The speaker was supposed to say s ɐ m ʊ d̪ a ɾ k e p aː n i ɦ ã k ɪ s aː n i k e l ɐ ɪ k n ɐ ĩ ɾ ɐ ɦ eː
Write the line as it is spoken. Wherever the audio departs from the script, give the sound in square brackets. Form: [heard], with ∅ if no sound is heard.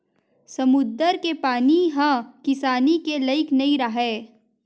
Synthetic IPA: s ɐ m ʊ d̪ [ə] ɾ k e p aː n i ɦ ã k ɪ s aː n i k e l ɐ ɪ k n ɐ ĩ ɾ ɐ ɦ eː